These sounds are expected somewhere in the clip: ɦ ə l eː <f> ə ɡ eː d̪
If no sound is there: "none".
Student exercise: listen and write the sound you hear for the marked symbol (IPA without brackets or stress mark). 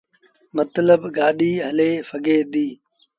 f